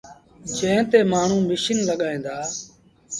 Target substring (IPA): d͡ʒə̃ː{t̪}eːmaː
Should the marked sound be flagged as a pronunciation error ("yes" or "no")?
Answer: no